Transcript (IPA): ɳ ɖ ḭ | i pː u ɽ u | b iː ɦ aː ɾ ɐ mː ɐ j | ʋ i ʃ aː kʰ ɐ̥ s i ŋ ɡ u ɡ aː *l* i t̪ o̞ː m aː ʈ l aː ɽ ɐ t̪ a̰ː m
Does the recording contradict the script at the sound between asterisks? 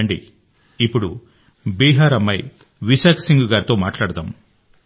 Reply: yes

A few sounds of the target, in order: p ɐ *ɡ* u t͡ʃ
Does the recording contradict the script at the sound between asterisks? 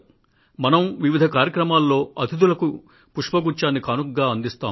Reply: no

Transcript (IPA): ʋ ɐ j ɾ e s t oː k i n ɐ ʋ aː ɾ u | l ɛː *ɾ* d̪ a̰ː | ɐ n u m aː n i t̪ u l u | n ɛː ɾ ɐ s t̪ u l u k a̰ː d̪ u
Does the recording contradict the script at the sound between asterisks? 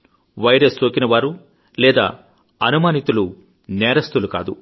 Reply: yes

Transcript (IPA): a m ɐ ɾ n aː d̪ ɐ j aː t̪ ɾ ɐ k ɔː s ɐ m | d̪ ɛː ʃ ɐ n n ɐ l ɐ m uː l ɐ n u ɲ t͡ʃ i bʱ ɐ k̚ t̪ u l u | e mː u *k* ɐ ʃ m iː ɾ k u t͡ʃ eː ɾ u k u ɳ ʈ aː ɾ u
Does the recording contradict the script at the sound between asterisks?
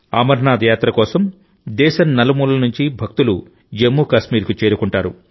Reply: no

